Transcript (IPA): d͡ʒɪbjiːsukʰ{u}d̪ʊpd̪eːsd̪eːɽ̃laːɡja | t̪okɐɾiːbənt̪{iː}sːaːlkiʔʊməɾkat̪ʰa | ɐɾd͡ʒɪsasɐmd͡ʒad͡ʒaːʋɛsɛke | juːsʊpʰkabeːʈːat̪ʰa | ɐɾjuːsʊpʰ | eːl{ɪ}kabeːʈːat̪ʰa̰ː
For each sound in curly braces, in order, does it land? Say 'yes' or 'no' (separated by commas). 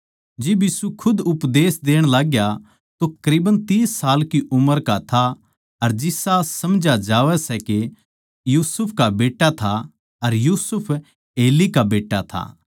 no, yes, no